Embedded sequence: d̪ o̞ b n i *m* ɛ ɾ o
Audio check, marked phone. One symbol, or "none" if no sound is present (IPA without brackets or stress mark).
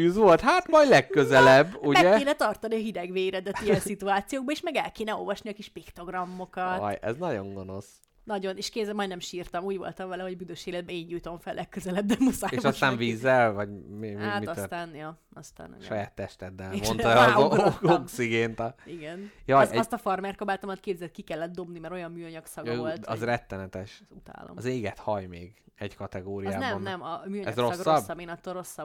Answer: m